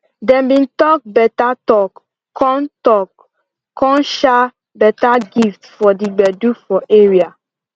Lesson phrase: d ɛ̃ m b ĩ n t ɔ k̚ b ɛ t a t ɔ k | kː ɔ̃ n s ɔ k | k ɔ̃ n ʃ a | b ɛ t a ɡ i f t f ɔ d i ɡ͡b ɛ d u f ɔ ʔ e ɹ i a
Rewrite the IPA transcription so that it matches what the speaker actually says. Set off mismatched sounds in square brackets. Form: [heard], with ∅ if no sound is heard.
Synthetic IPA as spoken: d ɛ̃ m b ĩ n t ɔ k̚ b ɛ t a t ɔ k | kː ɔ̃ n [t] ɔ k | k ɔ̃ n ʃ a | b ɛ t a ɡ i f t f ɔ d i ɡ͡b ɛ d u f ɔ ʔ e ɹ i a